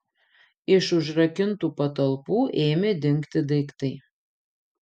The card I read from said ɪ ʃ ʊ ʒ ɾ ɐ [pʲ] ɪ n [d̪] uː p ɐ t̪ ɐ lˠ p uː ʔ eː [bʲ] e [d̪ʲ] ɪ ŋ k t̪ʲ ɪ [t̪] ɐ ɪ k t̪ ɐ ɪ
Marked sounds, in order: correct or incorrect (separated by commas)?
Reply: incorrect, incorrect, incorrect, correct, incorrect